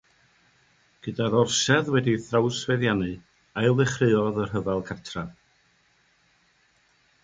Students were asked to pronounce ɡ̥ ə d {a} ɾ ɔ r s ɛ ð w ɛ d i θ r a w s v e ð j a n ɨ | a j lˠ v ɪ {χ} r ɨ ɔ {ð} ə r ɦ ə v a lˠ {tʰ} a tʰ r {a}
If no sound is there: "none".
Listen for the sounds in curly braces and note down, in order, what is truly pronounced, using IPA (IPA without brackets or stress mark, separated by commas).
a, χ, ð, kʰ, a